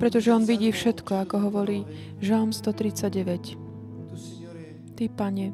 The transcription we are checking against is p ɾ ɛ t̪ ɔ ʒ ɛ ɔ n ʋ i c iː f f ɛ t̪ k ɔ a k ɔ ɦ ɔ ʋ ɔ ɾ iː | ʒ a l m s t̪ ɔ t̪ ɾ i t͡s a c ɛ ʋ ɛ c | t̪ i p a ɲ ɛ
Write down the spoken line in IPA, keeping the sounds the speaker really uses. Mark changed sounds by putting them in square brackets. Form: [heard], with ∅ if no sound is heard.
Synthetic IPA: p ɾ ɛ t̪ ɔ ʒ ɛ ɔ n ʋ i [ɟ] iː f [ʃ] ɛ t̪ k ɔ a k ɔ ɦ ɔ ʋ ɔ ɾ iː | ʒ a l m s t̪ ɔ t̪ ɾ i t͡s a [ɟ] ɛ ʋ ɛ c | t̪ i p a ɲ ɛ